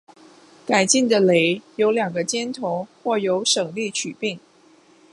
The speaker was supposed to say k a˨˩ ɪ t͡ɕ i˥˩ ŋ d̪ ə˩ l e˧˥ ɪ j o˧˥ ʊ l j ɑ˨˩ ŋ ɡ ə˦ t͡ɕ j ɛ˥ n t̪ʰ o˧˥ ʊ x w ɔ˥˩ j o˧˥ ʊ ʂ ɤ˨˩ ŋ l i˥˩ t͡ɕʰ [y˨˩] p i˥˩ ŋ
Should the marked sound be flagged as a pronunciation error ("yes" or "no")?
no